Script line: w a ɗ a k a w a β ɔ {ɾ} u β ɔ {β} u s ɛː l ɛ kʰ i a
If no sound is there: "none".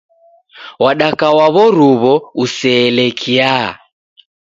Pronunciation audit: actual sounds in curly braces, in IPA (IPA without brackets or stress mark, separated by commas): ɾ, none